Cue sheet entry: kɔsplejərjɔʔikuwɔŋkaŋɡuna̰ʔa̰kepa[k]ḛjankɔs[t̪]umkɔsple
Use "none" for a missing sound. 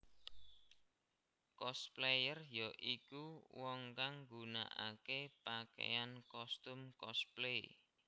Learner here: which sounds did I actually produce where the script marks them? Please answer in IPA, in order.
k, t̪

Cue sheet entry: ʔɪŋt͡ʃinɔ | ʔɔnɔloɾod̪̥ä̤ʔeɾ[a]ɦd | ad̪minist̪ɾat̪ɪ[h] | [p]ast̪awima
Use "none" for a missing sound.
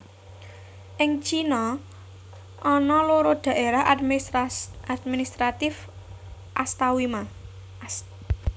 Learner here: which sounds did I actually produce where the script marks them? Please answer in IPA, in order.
a, f, ʔ

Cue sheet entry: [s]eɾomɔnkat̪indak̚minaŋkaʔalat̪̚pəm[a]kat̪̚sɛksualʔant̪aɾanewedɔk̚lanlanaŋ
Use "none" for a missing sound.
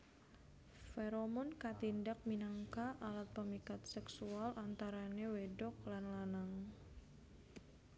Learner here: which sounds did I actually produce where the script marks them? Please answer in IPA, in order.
f, i

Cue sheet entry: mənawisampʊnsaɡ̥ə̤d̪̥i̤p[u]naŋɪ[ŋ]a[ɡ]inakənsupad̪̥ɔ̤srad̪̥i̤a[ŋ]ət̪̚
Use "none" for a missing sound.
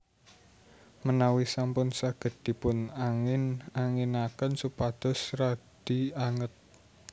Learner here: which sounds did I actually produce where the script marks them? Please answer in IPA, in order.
ʊ, n, ŋ, ŋ

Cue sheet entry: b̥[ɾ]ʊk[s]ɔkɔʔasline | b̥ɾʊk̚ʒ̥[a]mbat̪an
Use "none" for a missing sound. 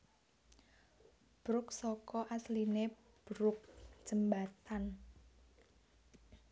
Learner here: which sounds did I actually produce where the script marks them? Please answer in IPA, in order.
ɾ, s, ə

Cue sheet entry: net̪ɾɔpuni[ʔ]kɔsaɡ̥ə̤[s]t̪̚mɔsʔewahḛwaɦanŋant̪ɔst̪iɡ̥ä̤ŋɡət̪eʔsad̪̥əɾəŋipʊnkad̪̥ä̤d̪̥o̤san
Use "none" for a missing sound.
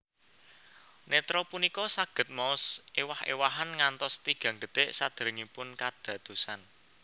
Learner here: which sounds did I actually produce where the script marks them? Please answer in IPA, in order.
none, none

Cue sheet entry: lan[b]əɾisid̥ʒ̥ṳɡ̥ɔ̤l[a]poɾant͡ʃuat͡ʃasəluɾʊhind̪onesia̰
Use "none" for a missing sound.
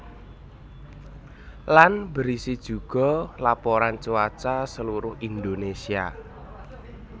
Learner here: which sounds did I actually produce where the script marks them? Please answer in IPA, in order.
b, a

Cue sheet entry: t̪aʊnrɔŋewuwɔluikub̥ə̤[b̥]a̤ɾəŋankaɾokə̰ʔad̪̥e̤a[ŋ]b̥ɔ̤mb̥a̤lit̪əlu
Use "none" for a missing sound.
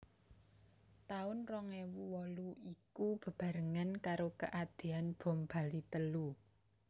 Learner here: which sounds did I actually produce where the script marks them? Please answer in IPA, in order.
b̥, n

